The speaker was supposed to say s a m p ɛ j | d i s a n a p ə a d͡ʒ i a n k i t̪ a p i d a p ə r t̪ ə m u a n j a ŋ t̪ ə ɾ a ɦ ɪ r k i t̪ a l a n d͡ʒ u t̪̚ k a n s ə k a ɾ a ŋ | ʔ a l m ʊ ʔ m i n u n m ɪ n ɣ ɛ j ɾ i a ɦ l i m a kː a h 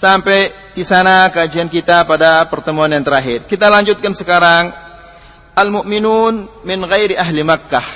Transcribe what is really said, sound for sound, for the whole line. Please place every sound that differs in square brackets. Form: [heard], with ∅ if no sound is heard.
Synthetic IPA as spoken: s a m p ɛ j | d i s a n a [k] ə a d͡ʒ i a n k i t̪ a p [a] d a p ə r t̪ ə m u a n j a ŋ t̪ ə ɾ a ɦ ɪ r k i t̪ a l a [ɲ] d͡ʒ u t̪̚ k a n s ə k a ɾ a ŋ | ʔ a l m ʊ ʔ m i n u n m ɪ n ɣ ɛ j ɾ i a ɦ l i m a kː a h